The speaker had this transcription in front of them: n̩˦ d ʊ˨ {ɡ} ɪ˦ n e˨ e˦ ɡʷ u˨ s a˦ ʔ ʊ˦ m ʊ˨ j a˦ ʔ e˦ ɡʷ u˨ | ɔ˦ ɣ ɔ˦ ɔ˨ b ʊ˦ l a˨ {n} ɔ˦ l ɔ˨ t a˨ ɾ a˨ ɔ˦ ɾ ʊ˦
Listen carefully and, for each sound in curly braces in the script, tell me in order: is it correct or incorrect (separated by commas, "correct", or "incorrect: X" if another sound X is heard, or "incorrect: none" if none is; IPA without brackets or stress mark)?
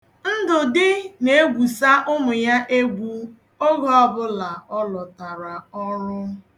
incorrect: d, incorrect: none